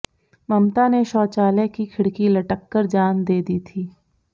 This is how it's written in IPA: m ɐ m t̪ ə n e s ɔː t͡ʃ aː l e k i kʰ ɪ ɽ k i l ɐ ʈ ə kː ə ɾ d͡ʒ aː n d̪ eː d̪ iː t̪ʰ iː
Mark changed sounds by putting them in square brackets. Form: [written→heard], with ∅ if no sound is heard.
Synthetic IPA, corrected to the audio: m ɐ m t̪ [ə→a] n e [s→ʃ] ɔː t͡ʃ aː l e k i kʰ ɪ ɽ k i l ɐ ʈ ə kː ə ɾ d͡ʒ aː n d̪ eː d̪ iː t̪ʰ iː